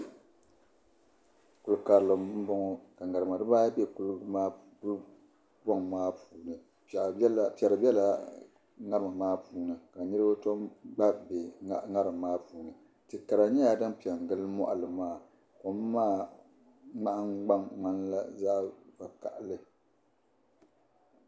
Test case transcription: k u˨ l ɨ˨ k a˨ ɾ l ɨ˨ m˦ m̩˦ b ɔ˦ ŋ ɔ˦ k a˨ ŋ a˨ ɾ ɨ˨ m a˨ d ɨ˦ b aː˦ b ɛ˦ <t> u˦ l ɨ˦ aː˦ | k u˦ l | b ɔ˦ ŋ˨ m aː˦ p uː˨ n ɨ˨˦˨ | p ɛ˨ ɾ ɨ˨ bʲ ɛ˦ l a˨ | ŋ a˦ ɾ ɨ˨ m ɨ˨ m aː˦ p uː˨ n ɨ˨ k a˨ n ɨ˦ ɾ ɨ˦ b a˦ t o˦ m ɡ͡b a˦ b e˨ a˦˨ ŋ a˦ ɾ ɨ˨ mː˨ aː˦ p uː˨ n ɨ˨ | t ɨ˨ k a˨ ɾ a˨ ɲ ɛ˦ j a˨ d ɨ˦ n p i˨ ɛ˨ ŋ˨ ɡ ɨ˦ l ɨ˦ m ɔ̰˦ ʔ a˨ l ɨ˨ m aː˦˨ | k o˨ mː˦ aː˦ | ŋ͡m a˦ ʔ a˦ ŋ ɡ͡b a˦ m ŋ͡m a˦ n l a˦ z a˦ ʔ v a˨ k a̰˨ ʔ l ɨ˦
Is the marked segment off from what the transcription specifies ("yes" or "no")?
yes